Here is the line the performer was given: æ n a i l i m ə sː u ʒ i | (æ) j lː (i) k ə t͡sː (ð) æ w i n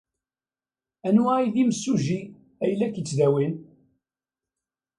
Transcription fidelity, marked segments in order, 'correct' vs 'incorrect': correct, incorrect: æ, correct

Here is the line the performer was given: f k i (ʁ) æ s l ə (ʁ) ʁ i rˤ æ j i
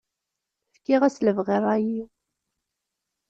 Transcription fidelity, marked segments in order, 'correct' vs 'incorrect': correct, incorrect: v

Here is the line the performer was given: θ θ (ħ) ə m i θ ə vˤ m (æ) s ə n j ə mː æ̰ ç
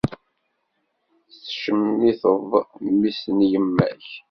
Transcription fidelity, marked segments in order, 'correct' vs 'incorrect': incorrect: ʃ, incorrect: i

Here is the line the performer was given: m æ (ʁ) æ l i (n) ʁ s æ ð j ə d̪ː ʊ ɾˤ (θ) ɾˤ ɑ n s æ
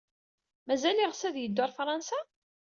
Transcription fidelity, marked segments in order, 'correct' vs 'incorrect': incorrect: z, incorrect: none, incorrect: f

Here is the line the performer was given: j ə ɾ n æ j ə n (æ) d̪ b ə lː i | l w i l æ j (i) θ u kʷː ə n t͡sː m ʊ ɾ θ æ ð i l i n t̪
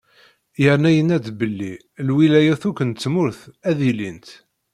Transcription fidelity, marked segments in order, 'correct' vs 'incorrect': correct, incorrect: æ

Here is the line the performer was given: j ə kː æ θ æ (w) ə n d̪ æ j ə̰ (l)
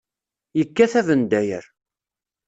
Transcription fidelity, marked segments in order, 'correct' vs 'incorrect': incorrect: v, incorrect: ɾ

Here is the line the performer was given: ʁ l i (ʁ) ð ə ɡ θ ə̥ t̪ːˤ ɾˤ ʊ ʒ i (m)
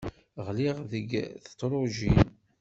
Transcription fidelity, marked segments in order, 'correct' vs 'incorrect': correct, incorrect: n

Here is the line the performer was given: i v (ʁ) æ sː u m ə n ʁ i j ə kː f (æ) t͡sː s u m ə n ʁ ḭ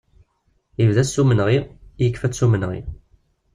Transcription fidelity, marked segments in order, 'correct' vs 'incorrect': incorrect: ð, correct

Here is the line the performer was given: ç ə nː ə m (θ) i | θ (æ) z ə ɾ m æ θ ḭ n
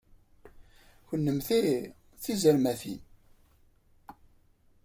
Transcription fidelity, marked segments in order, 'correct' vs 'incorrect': correct, incorrect: i

